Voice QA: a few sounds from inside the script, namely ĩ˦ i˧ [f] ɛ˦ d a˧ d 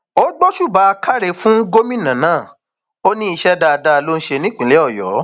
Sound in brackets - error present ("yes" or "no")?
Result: yes